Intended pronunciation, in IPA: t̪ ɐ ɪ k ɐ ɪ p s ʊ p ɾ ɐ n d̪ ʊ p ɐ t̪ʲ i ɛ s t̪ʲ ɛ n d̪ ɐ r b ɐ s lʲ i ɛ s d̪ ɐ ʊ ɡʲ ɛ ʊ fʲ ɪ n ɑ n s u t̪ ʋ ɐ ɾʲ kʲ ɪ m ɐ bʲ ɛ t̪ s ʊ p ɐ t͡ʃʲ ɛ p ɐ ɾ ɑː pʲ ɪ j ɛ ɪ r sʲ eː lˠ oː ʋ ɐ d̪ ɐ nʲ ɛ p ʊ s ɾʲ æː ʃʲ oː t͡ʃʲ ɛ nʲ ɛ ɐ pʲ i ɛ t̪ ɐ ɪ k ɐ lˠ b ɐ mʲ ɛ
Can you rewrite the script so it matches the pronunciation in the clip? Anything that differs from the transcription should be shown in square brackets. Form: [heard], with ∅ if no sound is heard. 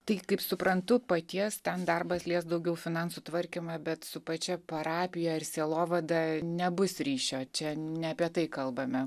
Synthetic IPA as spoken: t̪ ɐ ɪ k ɐ ɪ p s ʊ p ɾ ɐ n [t̪] ʊ p ɐ t̪ʲ i ɛ s t̪ʲ ɛ n d̪ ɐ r b ɐ s lʲ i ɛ s d̪ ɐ ʊ ɡʲ ɛ ʊ fʲ ɪ n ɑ n s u t̪ ʋ ɐ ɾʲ kʲ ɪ m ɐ bʲ ɛ t̪ s ʊ p ɐ t͡ʃʲ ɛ p ɐ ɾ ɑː pʲ ɪ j ɛ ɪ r sʲ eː lˠ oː ʋ ɐ d̪ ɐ nʲ ɛ [b] ʊ s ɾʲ [iː] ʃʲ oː t͡ʃʲ ɛ nʲ ɛ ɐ pʲ i ɛ t̪ ɐ ɪ k ɐ lˠ b ɐ mʲ ɛ